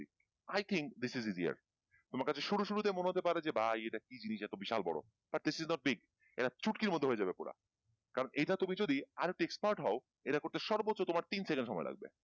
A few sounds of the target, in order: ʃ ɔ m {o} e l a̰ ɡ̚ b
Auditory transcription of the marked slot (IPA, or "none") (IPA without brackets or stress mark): ɔ